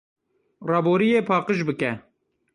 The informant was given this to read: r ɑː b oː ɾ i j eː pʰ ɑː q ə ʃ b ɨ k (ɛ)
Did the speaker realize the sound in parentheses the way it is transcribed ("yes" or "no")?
yes